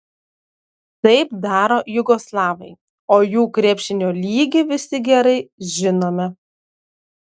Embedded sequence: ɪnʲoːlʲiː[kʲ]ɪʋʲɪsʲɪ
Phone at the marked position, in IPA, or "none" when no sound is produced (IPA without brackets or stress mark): ɡʲ